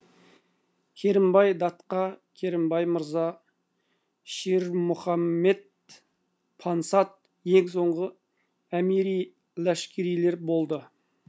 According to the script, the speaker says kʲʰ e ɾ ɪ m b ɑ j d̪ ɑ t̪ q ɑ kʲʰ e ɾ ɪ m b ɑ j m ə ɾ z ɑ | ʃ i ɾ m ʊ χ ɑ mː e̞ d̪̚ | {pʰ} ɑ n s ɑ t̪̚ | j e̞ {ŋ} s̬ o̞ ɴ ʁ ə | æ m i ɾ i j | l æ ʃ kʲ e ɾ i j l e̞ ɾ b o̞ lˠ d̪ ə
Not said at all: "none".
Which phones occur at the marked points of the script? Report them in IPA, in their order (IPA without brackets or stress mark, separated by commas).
pʰ, ŋ